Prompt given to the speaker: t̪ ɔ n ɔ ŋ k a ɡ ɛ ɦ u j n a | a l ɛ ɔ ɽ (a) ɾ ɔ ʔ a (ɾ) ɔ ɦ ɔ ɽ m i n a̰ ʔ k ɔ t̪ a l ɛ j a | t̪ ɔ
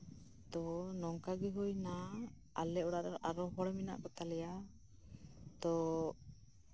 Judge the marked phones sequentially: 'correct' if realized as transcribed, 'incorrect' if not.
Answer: correct, correct

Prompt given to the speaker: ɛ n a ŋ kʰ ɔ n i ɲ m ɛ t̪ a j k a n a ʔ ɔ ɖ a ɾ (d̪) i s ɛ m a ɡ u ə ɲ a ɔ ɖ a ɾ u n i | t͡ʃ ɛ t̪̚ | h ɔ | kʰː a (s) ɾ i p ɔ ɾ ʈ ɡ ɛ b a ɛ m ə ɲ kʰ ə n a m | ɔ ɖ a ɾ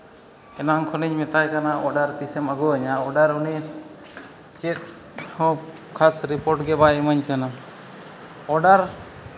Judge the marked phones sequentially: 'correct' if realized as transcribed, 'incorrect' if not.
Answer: incorrect: t̪, correct

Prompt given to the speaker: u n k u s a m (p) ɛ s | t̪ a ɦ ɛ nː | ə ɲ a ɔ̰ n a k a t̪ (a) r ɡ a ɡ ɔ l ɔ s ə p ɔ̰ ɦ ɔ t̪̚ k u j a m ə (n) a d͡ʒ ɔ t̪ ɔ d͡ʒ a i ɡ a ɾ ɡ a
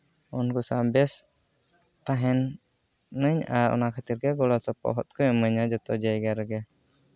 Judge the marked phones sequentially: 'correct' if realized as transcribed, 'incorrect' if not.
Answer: incorrect: b, incorrect: i, incorrect: ɲ

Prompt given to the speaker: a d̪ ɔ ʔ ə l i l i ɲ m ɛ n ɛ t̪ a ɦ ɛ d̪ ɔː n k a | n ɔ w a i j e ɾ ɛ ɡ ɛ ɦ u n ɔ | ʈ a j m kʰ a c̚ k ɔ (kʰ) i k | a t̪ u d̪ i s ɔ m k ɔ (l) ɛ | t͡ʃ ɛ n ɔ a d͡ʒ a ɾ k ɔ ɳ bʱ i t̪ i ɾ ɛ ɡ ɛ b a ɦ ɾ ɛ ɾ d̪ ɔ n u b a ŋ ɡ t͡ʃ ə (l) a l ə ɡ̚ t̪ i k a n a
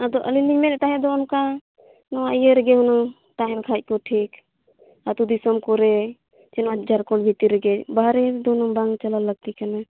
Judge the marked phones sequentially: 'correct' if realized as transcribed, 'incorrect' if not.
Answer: incorrect: ʈʰ, incorrect: ɾ, correct

